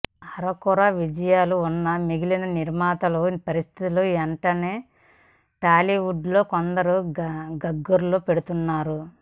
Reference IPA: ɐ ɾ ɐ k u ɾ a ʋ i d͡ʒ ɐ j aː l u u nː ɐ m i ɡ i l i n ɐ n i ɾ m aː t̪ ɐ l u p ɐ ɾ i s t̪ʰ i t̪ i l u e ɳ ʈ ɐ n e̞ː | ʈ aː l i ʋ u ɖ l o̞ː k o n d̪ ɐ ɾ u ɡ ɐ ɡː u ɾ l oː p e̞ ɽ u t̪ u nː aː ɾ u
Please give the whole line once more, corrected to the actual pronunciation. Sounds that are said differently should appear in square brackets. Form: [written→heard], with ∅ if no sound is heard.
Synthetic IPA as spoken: ɐ ɾ ɐ k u ɾ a ʋ i d͡ʒ ɐ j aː l u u nː ɐ m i ɡ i l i n ɐ n i ɾ m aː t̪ ɐ l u p ɐ ɾ i s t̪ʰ i t̪ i l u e ɳ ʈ ɐ n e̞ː | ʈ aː l i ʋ u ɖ l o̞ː k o n d̪ ɐ ɾ u ɡ ɐ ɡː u ɾ l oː p e̞ ɽ u t̪ u nː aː ɾ u